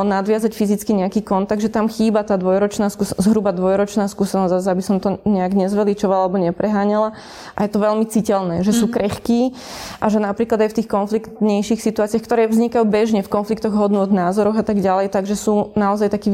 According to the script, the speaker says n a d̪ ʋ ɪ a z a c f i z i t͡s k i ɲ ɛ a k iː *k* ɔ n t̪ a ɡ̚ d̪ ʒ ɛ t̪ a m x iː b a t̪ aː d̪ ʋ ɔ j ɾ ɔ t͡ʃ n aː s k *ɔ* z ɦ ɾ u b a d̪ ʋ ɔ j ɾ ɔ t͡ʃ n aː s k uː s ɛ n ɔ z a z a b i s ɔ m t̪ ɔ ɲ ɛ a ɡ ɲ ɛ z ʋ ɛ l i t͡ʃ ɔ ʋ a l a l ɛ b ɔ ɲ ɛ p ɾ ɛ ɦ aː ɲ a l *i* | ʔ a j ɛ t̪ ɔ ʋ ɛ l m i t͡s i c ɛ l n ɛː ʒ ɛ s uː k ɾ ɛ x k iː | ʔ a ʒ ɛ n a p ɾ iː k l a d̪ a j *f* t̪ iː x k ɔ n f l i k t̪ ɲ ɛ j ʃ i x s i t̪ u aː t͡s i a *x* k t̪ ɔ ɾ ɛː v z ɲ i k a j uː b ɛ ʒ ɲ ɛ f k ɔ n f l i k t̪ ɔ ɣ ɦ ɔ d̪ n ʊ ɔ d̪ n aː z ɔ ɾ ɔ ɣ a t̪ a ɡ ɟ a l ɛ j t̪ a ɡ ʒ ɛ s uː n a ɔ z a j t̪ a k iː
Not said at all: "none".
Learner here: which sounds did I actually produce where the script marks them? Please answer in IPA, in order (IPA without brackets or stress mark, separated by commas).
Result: k, u, a, f, x